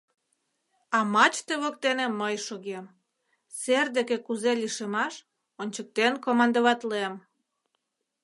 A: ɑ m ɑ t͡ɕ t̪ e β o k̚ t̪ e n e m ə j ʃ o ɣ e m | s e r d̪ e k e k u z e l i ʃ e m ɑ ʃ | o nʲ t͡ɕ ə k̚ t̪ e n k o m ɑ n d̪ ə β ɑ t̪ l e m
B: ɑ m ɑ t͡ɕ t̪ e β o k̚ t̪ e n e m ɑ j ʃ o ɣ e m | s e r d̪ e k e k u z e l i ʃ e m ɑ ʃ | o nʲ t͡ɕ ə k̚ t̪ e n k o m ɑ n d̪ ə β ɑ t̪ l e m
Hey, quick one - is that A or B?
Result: A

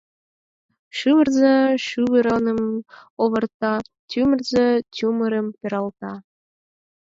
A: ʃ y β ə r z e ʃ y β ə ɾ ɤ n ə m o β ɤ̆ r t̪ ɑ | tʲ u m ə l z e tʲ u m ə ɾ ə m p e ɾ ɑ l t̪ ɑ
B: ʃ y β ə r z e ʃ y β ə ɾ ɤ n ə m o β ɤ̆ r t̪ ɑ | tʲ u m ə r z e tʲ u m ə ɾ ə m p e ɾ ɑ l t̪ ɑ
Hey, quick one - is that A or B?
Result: B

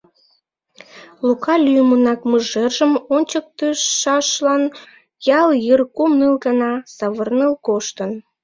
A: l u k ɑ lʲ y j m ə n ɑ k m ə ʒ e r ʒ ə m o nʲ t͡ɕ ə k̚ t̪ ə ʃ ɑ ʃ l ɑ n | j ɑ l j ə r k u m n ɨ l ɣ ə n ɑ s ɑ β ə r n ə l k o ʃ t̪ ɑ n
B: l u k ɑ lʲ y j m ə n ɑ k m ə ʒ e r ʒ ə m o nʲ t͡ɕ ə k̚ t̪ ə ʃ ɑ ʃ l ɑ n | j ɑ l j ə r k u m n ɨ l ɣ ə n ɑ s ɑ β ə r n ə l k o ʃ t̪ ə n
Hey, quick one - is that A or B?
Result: B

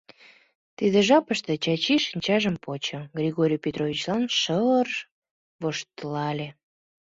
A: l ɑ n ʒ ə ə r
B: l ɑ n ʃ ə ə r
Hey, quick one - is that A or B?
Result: B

